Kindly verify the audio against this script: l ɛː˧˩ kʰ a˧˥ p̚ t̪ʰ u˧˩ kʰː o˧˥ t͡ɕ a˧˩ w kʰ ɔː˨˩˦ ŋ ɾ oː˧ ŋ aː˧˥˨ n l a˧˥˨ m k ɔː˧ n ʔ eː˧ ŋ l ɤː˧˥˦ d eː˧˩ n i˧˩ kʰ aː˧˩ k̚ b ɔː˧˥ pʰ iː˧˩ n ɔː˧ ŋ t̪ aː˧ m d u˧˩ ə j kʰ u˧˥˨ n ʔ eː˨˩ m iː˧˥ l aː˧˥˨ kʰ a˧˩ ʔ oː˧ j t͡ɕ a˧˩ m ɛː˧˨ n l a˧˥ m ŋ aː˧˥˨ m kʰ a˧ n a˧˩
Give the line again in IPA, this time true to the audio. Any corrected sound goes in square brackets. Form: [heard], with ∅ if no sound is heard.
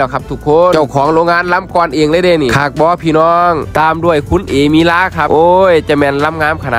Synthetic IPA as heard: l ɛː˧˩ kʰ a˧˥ p̚ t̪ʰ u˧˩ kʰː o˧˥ t͡ɕ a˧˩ w kʰ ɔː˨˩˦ ŋ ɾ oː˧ ŋ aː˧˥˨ n l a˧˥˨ m k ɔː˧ n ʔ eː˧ ŋ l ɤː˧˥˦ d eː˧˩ n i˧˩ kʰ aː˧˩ k̚ b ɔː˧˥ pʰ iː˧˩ n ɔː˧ ŋ t̪ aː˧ m d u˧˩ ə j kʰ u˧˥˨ n ʔ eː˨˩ m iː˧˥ l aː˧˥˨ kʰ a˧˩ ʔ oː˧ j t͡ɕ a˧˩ m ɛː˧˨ n l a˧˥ m ŋ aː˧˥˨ m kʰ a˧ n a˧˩